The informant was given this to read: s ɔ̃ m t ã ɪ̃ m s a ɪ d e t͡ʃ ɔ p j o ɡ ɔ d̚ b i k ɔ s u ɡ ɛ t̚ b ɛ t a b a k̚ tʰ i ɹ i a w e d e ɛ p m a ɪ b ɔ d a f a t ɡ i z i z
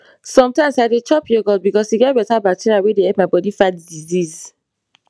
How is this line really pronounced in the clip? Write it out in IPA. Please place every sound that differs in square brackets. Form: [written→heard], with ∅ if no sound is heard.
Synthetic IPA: s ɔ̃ m t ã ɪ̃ m s a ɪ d e t͡ʃ ɔ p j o ɡ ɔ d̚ b i k ɔ s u ɡ ɛ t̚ b ɛ t a b a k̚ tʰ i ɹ i a w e d e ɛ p m a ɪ b ɔ d [a→i] f a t [ɡ→d] i z i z